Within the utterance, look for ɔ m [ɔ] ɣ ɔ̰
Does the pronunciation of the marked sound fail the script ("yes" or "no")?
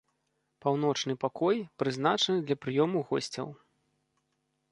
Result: yes